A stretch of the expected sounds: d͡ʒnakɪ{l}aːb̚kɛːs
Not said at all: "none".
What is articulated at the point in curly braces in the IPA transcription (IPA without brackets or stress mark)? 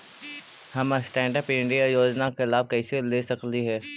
l